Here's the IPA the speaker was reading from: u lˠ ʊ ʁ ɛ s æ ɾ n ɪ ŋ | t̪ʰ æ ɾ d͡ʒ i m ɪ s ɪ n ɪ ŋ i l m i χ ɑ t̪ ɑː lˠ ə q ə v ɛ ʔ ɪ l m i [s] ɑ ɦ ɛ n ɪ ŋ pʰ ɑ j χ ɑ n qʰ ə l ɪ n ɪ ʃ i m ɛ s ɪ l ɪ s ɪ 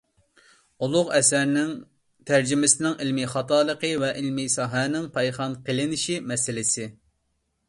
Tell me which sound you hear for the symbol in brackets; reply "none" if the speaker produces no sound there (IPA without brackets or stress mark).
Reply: s